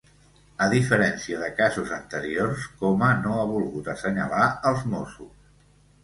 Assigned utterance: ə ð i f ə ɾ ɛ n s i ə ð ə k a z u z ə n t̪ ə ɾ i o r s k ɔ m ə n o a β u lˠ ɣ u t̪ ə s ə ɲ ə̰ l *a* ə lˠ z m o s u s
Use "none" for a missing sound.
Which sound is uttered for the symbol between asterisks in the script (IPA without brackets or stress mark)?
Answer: a